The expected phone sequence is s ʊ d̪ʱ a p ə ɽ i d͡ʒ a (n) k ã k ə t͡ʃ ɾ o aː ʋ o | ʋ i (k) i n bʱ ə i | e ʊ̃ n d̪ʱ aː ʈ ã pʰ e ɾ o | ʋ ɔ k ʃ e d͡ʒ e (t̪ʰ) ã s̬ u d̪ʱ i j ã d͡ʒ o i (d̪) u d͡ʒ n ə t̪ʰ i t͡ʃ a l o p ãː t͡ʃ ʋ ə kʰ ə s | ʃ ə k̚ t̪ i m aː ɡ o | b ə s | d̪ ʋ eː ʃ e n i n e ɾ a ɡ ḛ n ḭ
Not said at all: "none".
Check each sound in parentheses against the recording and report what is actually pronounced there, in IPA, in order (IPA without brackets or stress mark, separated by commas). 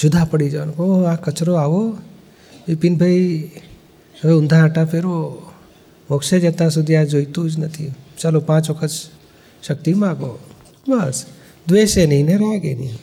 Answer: n, p, t̪, t̪